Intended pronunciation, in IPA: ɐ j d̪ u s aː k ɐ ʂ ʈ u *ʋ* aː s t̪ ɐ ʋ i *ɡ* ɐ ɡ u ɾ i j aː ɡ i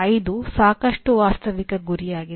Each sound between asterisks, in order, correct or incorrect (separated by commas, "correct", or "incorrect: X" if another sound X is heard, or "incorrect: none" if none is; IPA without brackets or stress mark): correct, incorrect: k